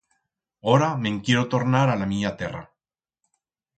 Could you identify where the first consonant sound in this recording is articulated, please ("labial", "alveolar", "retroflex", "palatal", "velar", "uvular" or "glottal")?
alveolar